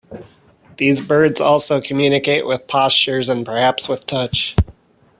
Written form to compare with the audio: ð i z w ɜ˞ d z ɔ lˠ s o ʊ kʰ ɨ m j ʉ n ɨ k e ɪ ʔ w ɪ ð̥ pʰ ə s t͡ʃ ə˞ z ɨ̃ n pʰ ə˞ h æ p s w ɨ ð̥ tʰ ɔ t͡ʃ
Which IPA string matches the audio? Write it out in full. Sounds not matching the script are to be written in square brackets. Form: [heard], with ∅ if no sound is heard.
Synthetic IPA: ð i z [b] ɜ˞ d z ɔ lˠ s o ʊ kʰ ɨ m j ʉ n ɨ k e ɪ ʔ w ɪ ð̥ pʰ [ɑ] s t͡ʃ ə˞ z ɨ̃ n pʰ ə˞ h æ p s w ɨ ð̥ tʰ [ʌ] t͡ʃ

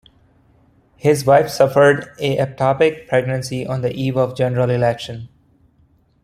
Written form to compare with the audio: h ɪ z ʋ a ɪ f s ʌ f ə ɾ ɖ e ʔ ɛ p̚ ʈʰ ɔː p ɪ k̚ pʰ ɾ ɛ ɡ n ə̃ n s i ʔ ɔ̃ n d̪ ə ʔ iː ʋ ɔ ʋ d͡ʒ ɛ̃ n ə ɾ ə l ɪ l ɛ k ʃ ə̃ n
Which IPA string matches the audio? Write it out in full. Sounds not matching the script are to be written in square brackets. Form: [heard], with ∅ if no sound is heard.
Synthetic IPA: h ɪ z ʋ a ɪ f s ʌ f ə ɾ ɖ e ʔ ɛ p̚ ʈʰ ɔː p ɪ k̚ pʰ ɾ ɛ ɡ n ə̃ n s i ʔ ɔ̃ n d̪ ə ʔ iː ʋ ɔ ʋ d͡ʒ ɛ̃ n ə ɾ ə l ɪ l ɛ k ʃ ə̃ n

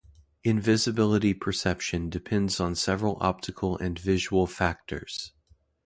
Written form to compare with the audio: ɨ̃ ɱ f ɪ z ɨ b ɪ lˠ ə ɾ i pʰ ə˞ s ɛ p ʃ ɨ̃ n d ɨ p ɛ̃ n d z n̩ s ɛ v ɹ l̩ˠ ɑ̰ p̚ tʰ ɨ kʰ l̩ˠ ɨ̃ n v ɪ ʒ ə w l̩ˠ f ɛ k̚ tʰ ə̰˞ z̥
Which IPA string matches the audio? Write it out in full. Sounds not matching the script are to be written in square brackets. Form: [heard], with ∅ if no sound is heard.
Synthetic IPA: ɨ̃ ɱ [v] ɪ z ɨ b ɪ lˠ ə ɾ i pʰ ə˞ s ɛ p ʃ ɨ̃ n d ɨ [pʰ] ɛ̃ n d z n̩ s ɛ v ɹ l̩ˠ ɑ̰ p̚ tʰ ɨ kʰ l̩ˠ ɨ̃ n v ɪ ʒ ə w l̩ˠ f [æ] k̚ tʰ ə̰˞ z̥

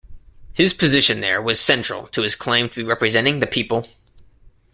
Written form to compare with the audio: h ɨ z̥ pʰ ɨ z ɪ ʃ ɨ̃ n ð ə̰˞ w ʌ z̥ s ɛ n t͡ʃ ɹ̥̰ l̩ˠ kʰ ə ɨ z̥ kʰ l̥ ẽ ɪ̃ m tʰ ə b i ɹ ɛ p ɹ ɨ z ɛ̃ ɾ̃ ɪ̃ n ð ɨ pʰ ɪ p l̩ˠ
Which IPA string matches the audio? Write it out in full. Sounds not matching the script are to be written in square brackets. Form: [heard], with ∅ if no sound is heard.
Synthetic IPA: h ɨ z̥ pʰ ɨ z ɪ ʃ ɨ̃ n ð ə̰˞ w ʌ z̥ s [ɛ̃] n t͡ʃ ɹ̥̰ l̩ˠ [tʰ] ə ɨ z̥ kʰ l̥ ẽ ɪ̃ m tʰ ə b i ɹ ɛ p ɹ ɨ z ɛ̃ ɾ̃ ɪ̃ [ŋ] ð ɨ pʰ [i] p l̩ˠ

